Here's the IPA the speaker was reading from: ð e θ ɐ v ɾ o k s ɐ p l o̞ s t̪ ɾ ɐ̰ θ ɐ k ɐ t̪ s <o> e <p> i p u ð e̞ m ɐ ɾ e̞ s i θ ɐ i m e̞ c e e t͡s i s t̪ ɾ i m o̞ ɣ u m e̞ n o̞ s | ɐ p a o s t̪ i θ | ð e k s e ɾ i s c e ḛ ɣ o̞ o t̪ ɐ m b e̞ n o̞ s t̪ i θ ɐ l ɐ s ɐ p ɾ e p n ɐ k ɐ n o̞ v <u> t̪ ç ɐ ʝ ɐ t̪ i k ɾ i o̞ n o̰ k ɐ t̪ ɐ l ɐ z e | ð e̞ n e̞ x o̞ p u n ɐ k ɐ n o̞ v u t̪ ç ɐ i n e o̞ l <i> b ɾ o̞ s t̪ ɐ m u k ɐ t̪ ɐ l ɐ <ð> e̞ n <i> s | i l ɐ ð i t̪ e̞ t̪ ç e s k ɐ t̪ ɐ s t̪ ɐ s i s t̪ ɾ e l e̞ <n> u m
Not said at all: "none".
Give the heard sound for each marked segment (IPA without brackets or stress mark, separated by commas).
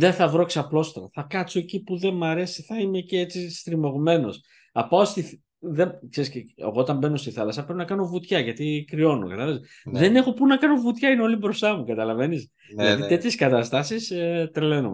o, c, u, i, v, i, n